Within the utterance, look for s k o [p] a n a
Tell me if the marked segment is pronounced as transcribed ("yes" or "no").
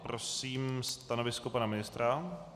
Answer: yes